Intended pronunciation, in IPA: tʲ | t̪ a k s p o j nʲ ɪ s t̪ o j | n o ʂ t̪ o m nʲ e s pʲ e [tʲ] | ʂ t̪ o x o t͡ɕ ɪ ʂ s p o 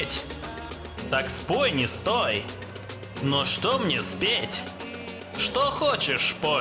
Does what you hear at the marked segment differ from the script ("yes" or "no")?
no